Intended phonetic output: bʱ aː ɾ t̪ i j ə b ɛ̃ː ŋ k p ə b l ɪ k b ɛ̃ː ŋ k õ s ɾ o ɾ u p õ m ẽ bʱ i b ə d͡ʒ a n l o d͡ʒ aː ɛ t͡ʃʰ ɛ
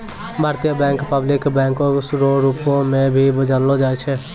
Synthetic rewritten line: bʱ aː ɾ t̪ i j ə b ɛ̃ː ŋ k p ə b l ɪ k b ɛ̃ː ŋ k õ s ɾ o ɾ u p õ m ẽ bʱ i b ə d͡ʒ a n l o d͡ʒ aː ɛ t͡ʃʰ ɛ

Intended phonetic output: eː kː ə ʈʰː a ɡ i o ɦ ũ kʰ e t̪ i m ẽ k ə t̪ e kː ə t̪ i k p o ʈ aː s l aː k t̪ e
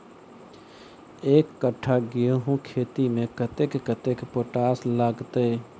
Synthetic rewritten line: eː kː ə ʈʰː a ɡ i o ɦ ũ kʰ e t̪ i m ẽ k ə t̪ e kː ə t̪ e k p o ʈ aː s l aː ɡ t̪ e

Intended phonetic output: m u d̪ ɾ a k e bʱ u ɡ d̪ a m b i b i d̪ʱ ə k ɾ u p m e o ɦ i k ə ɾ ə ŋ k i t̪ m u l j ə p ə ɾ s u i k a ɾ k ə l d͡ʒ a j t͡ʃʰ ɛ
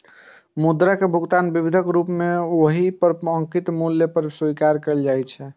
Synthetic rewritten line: m u d̪ ɾ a k e bʱ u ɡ t̪ a n b i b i d̪ʱ ə k ɾ u p m e o ɦ i p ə ɾ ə ŋ k i t̪ m u l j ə p ə ɾ s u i k a ɾ k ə l d͡ʒ a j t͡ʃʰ ɛ

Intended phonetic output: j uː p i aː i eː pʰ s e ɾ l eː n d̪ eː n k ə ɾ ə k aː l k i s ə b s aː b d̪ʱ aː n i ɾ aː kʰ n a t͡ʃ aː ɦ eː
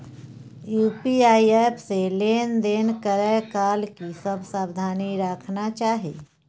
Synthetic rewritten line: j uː p i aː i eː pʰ s e l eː n d̪ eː n k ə ɾ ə k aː l k i s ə b s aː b d̪ʱ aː n i ɾ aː kʰ n a t͡ʃ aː ɦ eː

